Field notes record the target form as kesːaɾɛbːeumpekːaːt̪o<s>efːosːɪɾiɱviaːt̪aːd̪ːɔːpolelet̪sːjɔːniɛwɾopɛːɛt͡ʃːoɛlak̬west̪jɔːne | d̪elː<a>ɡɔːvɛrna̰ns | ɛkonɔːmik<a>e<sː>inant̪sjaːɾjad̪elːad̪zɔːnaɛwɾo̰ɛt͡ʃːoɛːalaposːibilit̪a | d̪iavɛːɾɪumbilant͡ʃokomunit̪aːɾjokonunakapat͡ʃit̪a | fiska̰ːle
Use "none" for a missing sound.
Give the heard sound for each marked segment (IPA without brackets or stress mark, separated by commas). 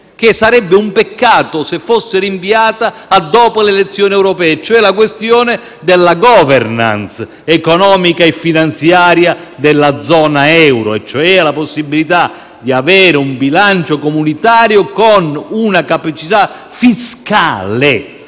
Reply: s, a, a, fː